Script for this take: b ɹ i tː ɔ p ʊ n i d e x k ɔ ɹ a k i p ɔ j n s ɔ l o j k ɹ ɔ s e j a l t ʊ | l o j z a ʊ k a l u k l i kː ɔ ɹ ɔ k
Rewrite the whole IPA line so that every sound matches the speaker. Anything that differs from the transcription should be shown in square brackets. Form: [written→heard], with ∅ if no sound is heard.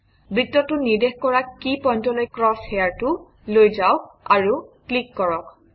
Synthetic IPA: b ɹ i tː ɔ [p→t] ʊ n i d e x k ɔ ɹ a k i p ɔ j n [s→t] ɔ l o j k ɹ ɔ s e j a [l→ɹ] t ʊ | l o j z a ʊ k a [l→ɹ] u k l i kː ɔ ɹ ɔ k